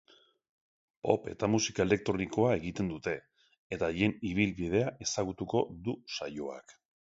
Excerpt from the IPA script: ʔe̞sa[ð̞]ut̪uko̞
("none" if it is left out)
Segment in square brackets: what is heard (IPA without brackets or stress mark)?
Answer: ɣ̞